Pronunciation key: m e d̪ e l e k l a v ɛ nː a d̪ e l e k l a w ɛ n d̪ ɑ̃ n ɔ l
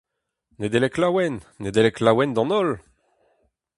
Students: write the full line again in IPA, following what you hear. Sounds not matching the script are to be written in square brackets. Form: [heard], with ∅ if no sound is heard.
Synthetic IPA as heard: [n] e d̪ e l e k l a [w] ɛ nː [e] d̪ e l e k l a w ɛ n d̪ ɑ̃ n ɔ l